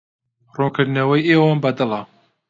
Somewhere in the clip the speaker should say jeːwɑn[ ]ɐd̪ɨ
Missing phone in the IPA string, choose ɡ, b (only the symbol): b